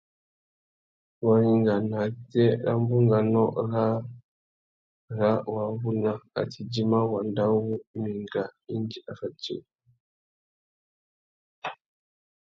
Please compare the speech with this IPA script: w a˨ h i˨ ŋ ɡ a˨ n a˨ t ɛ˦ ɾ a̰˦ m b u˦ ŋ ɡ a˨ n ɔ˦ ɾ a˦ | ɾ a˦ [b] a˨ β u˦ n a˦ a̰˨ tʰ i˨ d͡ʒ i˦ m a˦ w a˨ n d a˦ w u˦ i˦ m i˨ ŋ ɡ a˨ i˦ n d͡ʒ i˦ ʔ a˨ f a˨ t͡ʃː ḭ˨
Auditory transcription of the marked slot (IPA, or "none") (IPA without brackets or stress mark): w